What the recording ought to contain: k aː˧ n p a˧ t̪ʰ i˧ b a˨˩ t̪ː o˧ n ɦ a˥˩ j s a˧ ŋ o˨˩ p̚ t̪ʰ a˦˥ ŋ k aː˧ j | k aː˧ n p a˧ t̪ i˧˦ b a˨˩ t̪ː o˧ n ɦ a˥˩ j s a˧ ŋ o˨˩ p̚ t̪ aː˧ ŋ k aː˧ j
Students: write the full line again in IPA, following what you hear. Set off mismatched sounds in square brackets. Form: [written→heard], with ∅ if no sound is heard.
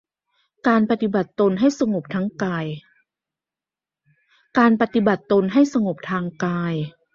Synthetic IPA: k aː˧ n p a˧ [t̪ʰ→t̪] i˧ b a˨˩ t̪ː o˧ n ɦ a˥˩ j s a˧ ŋ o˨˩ p̚ t̪ʰ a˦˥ ŋ k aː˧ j | k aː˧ n p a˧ t̪ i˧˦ b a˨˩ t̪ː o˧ n ɦ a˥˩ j s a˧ ŋ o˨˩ p̚ [t̪→t̪ʰ] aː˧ ŋ k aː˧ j

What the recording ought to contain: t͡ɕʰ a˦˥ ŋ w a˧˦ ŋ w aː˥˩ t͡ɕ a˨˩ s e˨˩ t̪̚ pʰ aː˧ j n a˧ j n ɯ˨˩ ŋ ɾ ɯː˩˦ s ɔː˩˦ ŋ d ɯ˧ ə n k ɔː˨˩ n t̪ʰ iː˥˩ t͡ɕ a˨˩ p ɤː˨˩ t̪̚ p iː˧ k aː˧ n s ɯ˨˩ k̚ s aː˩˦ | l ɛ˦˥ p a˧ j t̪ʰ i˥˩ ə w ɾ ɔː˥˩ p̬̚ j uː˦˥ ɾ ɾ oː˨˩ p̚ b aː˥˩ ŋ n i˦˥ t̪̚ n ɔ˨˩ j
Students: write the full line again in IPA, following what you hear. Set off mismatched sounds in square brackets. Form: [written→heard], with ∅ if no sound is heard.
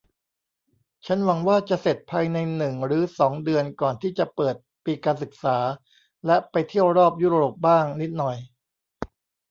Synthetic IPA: t͡ɕʰ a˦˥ [ŋ→n] w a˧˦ ŋ w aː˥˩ t͡ɕ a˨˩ s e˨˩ t̪̚ pʰ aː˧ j n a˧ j n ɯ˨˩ ŋ ɾ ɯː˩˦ s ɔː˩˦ ŋ d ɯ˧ ə n k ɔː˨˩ n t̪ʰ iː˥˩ t͡ɕ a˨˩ p ɤː˨˩ t̪̚ p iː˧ k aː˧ n s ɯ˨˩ k̚ s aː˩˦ | l ɛ˦˥ p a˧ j t̪ʰ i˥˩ ə w ɾ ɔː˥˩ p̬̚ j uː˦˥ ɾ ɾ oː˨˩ p̚ b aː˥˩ ŋ n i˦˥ t̪̚ n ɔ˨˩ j

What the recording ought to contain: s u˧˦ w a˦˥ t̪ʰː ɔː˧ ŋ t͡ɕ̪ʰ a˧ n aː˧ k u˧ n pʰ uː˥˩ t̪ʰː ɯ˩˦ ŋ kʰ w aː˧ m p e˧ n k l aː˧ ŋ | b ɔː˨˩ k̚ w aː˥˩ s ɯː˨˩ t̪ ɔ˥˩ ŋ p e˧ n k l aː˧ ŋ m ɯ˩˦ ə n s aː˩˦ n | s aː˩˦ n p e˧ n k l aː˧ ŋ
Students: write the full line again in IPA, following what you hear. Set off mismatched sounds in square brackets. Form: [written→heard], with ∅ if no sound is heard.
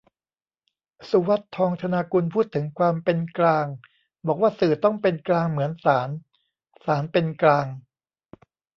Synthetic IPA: s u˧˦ w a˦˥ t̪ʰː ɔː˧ ŋ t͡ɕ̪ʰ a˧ n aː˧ k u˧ n pʰ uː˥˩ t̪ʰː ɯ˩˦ ŋ kʰ w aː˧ m p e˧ n k l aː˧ ŋ | b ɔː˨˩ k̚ w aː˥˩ s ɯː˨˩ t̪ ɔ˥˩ ŋ p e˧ n k l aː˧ ŋ m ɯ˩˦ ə n s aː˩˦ n | s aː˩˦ n p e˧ n k l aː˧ ŋ

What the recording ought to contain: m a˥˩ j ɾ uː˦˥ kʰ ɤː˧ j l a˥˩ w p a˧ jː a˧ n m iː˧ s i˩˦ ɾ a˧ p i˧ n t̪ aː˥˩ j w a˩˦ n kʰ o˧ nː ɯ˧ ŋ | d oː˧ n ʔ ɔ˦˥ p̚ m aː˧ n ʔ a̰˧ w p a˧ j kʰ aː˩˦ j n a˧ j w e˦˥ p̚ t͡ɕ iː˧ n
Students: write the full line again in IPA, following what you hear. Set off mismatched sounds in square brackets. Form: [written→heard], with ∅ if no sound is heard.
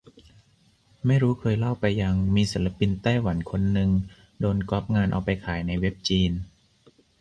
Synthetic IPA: m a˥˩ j ɾ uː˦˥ kʰ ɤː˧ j l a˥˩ w p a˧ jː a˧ [n→ŋ] m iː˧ s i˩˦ [ɾ→l] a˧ p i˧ n t̪ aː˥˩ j w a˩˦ n kʰ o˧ nː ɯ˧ ŋ | d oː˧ n [ʔ→k] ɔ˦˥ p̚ [m→ŋ] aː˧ n ʔ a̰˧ w p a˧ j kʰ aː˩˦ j n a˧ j w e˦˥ p̚ t͡ɕ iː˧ n

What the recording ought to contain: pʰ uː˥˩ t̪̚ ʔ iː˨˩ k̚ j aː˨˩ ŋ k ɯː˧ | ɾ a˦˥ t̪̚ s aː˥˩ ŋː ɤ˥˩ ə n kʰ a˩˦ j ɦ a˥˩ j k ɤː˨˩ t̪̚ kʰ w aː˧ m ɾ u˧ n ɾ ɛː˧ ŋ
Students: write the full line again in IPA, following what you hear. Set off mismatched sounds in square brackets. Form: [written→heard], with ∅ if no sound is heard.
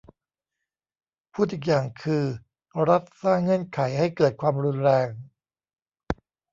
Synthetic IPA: pʰ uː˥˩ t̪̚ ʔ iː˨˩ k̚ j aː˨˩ ŋ [k→kʰ] ɯː˧ | ɾ a˦˥ t̪̚ s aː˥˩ ŋː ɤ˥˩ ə n kʰ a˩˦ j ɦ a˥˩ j k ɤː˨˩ t̪̚ kʰ w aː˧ m ɾ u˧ n ɾ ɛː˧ ŋ

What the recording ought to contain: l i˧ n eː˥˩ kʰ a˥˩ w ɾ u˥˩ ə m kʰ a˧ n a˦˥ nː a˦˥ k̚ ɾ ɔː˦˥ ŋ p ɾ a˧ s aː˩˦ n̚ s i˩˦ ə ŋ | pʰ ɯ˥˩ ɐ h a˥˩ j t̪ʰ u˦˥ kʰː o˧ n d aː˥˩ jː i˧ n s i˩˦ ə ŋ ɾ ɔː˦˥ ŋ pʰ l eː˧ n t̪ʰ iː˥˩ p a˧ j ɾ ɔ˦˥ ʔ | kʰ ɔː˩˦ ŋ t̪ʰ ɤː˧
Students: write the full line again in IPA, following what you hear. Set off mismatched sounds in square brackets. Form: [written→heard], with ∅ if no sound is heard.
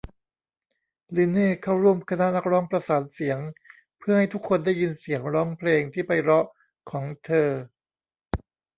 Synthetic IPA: l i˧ n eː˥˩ kʰ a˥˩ w ɾ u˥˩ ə m kʰ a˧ n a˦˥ [nː→n] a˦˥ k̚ ɾ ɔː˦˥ ŋ p ɾ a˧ s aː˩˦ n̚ s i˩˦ ə ŋ | pʰ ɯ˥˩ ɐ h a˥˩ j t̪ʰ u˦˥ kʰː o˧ n d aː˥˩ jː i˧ n s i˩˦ ə ŋ ɾ ɔː˦˥ ŋ pʰ l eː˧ [n→ŋ] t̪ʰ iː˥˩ p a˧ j ɾ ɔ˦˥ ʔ | kʰ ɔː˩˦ ŋ t̪ʰ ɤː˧

